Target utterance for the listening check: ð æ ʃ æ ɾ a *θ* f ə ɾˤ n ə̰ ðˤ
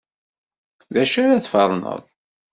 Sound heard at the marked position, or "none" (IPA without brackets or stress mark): θ